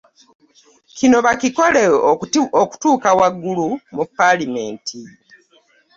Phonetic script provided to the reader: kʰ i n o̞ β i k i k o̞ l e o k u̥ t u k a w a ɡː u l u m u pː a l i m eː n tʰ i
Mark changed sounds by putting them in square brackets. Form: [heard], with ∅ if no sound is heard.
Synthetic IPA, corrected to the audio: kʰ i n o̞ β [a] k i k o̞ l e o k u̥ t [uː] k a w a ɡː u l u m u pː a l i m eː n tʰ i